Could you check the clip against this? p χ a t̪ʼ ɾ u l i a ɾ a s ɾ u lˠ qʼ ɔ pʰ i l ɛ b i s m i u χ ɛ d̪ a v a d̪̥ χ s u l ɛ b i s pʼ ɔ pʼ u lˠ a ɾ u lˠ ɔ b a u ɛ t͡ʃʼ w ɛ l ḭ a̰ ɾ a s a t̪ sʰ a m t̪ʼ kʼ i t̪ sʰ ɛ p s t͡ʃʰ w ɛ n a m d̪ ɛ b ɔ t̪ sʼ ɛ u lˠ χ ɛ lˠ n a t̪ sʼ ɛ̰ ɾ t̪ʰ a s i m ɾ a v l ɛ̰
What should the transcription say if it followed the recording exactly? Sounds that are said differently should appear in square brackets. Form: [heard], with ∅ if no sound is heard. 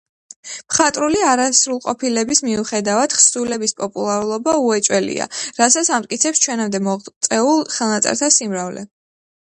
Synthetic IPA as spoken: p χ a t̪ʼ ɾ u l i a ɾ a s ɾ u lˠ qʼ ɔ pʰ i l ɛ b i s m i u χ ɛ d̪ a v a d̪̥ χ s u l ɛ b i s pʼ ɔ pʼ u lˠ a ɾ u lˠ ɔ b a u ɛ t͡ʃʼ w ɛ l ḭ a̰ ɾ a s a t̪ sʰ a m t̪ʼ kʼ i t̪ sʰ ɛ p s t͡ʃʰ w ɛ n a m d̪ ɛ [m] ɔ t̪ sʼ ɛ u lˠ χ ɛ lˠ n a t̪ sʼ ɛ̰ ɾ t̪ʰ a s i m ɾ a v l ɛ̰